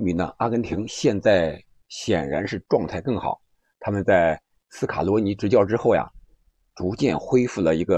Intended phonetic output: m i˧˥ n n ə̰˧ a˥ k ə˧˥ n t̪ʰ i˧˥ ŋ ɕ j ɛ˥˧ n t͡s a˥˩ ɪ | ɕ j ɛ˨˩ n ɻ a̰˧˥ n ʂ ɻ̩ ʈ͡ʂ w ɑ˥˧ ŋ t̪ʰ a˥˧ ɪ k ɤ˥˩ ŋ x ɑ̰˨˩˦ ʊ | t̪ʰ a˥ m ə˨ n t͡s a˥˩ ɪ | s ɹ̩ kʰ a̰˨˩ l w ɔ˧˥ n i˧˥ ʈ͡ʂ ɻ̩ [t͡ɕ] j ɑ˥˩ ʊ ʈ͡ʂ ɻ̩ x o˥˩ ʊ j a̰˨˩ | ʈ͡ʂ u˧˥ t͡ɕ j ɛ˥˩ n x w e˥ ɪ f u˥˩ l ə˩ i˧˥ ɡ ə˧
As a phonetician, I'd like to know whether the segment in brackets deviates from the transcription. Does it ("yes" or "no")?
no